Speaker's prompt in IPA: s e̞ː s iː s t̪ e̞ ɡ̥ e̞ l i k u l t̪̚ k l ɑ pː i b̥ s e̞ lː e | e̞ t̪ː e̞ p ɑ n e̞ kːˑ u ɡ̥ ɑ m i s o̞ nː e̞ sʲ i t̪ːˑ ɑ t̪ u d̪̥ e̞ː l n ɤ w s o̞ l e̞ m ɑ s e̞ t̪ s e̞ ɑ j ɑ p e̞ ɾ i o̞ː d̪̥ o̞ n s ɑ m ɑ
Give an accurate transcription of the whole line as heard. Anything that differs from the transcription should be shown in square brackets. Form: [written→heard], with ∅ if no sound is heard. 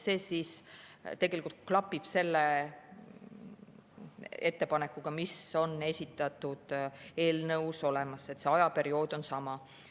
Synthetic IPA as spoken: s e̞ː s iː s t̪ e̞ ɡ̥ e̞ l i k u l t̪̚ k l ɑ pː i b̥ s e̞ lː e | e̞ t̪ː e̞ p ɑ n e̞ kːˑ u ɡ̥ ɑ m i s o̞ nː e̞ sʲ i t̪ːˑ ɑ t̪ u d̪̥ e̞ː l n ɤ w s o̞ l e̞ m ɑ s e̞ t̪ s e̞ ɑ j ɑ p e̞ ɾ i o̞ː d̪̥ o̞ n s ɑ m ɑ

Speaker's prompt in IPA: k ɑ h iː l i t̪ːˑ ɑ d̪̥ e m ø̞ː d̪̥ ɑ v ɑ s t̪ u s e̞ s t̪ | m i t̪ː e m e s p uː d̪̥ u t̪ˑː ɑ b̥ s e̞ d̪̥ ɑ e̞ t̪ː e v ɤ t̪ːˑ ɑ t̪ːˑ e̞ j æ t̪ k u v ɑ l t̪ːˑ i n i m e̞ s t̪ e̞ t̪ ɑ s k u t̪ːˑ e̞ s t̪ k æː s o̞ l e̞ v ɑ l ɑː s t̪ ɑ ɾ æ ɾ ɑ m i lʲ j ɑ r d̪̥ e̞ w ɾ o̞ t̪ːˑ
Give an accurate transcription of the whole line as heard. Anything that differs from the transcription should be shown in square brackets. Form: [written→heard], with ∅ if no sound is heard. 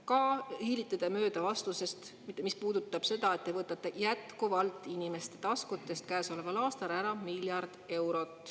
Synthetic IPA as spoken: k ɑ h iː l i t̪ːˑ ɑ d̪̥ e m ø̞ː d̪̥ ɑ v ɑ s t̪ u s e̞ s t̪ | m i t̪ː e m [e→i] s p uː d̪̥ u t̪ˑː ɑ b̥ s e̞ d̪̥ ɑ e̞ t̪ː e v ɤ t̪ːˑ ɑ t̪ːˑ e̞ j æ t̪ k u v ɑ l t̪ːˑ i n i m e̞ s t̪ e̞ t̪ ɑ s k u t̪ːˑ e̞ s t̪ k æː s o̞ l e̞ v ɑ l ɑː s t̪ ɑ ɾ æ ɾ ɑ m i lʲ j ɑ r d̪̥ e̞ w ɾ o̞ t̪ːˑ

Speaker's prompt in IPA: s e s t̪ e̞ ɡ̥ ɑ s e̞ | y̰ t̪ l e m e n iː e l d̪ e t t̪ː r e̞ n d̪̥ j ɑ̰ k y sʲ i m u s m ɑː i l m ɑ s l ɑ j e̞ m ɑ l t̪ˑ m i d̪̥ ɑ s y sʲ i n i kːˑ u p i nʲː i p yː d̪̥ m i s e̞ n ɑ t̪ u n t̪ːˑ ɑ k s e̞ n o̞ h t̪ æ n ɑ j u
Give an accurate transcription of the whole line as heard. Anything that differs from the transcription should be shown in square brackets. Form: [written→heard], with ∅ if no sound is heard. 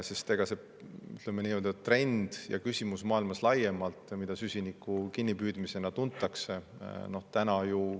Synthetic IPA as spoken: s e s t̪ e̞ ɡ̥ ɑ s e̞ | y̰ t̪ l e m e n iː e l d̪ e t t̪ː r e̞ n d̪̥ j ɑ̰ k y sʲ i m u s m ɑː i l m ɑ s l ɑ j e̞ m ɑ l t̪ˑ m i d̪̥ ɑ s y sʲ i n i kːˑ u [p→k] i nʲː i p yː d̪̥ m i s e̞ n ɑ t̪ u n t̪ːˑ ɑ k s e̞ n o̞ h t̪ æ n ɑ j u

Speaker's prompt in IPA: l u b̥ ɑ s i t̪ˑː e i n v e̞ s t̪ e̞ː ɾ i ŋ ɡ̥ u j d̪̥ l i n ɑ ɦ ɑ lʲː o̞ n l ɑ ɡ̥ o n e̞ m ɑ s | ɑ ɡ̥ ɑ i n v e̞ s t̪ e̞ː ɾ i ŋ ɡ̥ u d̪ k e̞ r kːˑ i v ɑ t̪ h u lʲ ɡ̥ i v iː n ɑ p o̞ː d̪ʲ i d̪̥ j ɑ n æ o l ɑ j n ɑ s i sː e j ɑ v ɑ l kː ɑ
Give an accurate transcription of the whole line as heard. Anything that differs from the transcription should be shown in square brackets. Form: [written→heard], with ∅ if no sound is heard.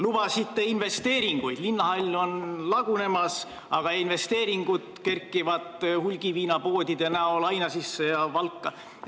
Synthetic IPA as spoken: l u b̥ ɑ s i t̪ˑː e i n v e̞ s t̪ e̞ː ɾ i ŋ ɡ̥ u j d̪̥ l i [n→nː] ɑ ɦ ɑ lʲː o̞ n l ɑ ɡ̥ [o→u] n e̞ m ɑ s | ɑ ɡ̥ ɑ i n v e̞ s t̪ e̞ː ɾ i ŋ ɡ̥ u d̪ k e̞ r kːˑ i v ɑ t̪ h u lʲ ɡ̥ i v iː n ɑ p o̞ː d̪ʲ i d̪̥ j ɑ n æ o l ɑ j n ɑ s i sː e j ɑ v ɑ l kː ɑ

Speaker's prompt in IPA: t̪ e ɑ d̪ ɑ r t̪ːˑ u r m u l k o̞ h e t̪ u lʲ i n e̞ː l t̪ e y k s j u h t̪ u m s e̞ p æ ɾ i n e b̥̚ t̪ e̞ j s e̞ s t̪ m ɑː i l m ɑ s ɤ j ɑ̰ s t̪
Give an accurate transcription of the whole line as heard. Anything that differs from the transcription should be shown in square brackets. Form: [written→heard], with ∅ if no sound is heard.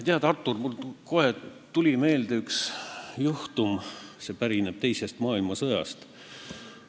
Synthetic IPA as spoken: t̪ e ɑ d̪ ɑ r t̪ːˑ u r m u l k o̞ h e t̪ u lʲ i [n→m] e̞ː l [t̪→d̪] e y k s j u h t̪ u m s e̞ p æ ɾ i n e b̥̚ t̪ e̞ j s e̞ s t̪ m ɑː i l m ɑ s ɤ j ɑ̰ s t̪

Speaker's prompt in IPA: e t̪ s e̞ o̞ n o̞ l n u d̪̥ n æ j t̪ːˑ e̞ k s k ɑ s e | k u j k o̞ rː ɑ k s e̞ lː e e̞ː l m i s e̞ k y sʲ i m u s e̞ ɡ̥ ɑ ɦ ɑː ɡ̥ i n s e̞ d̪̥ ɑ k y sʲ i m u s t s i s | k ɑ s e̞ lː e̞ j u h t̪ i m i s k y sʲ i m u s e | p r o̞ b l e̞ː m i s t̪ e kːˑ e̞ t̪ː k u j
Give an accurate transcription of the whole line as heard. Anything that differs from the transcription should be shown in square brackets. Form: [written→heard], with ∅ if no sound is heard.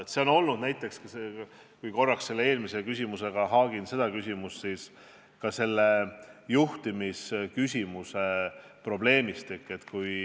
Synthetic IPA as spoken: e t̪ s e̞ o̞ n o̞ l n u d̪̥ n æ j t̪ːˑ e̞ k s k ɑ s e | k u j k o̞ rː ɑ k s e̞ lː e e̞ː l m i s e̞ k y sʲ i m u s e̞ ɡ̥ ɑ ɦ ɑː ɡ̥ i n s e̞ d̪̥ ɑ k y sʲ i m u s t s i s | k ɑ s e̞ lː e̞ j u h t̪ i m i s k y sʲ i m u s e | p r o̞ b l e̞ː m i s t̪ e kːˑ e̞ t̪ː k u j

